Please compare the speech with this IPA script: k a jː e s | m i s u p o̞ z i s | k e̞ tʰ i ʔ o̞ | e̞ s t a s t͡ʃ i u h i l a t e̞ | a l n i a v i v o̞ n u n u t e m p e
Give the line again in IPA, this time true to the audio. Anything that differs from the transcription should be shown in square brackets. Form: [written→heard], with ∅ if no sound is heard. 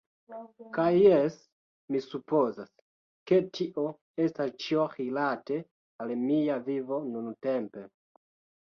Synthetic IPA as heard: k a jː e s | m i s u p o̞ z [i→a] s | k e̞ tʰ i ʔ o̞ | e̞ s t a s t͡ʃ i [u→o] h i l a t e̞ | a l [n→m] i a v i v o̞ n u n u t e m p e